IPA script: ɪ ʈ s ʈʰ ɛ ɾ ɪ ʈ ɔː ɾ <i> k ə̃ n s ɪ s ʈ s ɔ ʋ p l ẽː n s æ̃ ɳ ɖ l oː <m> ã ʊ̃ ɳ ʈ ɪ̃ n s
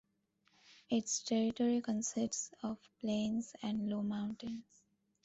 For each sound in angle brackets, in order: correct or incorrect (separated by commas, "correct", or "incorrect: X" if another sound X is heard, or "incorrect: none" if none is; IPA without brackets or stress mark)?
correct, correct